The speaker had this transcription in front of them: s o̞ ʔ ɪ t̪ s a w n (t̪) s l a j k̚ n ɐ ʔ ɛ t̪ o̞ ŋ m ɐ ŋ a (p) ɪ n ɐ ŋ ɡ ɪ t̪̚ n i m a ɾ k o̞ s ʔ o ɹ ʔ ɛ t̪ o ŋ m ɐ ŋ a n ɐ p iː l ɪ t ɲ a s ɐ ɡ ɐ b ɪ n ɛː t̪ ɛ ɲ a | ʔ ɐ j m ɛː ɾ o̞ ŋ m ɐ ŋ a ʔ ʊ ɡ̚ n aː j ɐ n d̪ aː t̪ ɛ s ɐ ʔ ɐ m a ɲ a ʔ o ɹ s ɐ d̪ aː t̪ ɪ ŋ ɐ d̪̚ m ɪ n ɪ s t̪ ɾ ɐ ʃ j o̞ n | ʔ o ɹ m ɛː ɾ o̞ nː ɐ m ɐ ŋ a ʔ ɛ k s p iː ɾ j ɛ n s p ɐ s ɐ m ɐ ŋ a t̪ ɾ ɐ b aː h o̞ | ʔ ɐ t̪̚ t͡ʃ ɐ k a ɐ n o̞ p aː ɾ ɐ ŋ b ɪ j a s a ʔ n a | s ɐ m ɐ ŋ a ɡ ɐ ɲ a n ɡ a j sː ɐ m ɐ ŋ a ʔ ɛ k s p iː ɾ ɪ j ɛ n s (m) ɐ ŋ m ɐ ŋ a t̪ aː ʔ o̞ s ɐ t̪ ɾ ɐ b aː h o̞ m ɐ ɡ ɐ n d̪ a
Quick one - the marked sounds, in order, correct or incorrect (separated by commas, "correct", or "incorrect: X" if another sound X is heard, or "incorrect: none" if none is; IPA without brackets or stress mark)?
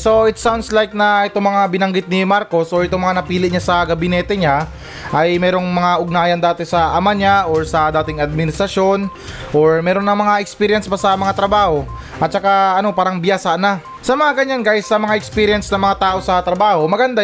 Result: incorrect: d̪, incorrect: b, incorrect: n